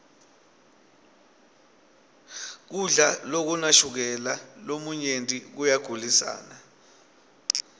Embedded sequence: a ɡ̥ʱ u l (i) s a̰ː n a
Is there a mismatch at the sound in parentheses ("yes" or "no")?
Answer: no